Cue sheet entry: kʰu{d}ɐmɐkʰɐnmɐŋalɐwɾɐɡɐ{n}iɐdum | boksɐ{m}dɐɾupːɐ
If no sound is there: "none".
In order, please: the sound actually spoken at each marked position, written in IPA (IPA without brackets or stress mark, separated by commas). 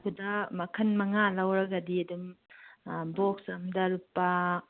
d, d, m